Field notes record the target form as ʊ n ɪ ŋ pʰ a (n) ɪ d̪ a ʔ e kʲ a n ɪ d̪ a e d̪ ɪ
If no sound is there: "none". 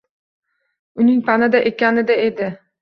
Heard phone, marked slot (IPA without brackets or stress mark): n